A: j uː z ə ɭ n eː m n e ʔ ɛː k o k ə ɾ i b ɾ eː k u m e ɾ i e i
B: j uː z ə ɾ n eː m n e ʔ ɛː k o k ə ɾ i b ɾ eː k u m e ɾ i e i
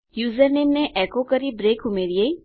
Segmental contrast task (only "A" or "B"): B